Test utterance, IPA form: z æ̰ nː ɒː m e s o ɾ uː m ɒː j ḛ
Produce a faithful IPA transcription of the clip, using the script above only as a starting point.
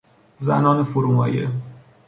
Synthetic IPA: z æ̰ n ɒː n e f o ɾ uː m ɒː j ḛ

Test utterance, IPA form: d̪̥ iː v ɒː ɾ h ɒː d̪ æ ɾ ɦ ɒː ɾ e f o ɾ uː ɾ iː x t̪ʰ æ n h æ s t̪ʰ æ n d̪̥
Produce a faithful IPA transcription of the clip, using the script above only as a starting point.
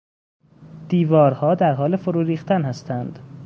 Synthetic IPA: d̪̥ iː v ɒː ɾ h ɒː d̪ æ ɾ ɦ ɒː l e f o ɾ uː ɾ iː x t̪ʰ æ n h æ s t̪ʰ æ n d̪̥

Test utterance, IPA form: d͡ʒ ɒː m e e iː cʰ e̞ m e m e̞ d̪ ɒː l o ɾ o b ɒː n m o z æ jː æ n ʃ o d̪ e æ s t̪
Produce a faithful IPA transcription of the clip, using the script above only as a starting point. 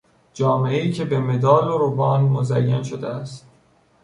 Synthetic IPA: d͡ʒ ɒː m e e iː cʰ e̞ b e m e̞ d̪ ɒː l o ɾ o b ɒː n m o z æ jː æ n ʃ o d̪ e æ s t̪

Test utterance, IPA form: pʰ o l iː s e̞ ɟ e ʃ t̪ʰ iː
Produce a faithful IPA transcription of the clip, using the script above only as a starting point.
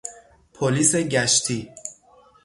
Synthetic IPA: pʰ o l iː s e̞ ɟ æ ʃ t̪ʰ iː

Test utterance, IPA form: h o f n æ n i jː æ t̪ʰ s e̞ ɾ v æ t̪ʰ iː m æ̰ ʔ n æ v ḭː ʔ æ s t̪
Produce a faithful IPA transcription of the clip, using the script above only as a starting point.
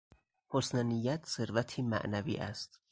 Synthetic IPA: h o s n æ n i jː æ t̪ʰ s e̞ ɾ v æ t̪ʰ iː m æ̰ ʔ n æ v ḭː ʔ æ s t̪

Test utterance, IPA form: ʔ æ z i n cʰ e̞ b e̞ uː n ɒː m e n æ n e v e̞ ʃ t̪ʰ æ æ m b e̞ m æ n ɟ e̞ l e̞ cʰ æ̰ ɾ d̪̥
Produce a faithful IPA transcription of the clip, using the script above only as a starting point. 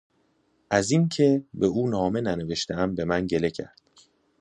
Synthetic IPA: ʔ æ z i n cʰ e̞ b e̞ uː n ɒː m e n æ n e v e̞ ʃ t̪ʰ e æ m b e̞ m æ n ɟ e̞ l e̞ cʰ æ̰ ɾ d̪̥

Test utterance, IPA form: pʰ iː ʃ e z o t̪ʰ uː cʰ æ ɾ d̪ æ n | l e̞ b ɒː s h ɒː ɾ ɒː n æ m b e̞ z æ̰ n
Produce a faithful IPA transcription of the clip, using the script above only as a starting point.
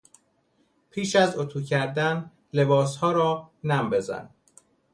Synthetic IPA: pʰ iː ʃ æ z o t̪ʰ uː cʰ æ ɾ d̪ æ n | l e̞ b ɒː s h ɒː ɾ ɒː n æ m b e̞ z æ̰ n

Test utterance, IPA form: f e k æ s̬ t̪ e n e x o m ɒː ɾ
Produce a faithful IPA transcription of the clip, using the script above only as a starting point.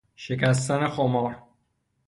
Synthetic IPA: ʃ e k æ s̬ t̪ æ n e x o m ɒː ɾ

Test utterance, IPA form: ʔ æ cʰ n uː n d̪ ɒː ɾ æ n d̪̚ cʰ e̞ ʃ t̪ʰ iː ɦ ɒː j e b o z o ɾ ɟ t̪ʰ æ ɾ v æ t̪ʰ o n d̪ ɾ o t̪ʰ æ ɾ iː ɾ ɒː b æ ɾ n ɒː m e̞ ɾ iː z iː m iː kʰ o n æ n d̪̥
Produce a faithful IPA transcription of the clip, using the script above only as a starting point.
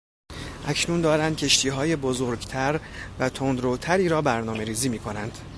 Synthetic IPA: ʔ æ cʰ n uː n d̪ ɒː ɾ æ n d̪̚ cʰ e̞ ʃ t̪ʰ iː ɦ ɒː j e b o z o ɾ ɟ t̪ʰ æ ɾ v æ t̪ʰ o n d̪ ɾ o t̪ʰ æ ɾ iː ɾ ɒː b æ ɾ n ɒː m e̞ ɾ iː z iː m iː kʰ o n æ n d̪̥

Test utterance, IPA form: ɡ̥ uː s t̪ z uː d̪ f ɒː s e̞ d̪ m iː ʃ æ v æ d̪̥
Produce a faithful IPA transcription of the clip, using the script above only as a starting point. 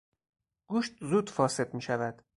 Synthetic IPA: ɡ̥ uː ʃ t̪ z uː d̪ f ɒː s e̞ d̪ m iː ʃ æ v æ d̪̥

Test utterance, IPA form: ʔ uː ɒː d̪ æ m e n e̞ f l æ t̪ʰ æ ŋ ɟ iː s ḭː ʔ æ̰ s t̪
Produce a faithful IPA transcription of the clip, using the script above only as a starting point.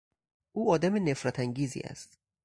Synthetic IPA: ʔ uː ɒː d̪ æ m e n e̞ f ɾ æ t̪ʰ æ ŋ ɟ iː z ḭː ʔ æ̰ s t̪

